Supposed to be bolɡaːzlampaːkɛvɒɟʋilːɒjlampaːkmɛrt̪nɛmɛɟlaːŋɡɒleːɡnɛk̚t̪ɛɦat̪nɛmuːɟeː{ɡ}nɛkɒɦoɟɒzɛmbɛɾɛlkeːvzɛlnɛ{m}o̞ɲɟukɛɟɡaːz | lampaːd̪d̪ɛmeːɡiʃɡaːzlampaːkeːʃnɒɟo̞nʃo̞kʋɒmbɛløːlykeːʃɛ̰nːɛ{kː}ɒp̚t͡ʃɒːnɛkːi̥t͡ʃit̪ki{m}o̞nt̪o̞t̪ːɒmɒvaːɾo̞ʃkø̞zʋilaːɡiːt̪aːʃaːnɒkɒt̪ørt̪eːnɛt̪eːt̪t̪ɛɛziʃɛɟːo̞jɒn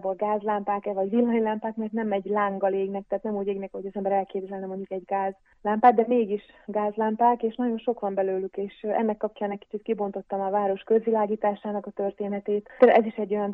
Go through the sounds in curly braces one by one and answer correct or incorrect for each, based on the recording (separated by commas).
correct, correct, correct, incorrect